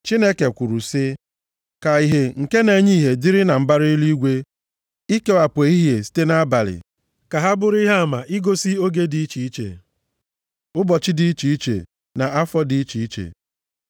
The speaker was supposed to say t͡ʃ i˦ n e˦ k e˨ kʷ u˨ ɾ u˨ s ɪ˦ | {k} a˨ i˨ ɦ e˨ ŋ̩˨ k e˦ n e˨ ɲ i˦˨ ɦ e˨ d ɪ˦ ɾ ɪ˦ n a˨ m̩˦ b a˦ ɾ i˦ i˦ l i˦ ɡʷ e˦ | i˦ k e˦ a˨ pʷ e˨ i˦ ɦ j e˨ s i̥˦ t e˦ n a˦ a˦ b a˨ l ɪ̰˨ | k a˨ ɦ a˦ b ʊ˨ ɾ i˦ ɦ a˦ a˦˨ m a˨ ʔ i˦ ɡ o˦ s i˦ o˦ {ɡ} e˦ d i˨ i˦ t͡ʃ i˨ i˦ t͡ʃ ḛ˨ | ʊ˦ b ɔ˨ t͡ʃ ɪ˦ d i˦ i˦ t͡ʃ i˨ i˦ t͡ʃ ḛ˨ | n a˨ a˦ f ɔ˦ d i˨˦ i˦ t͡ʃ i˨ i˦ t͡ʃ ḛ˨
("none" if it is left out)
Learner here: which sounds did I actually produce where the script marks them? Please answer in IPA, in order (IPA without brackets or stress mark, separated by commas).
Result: k, ɡ